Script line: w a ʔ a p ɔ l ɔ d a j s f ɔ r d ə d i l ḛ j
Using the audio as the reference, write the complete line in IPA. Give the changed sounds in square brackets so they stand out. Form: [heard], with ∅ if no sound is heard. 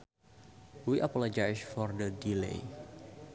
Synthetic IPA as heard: w [i] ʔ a p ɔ l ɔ [d͡ʒ] a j s f ɔ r d ə d i l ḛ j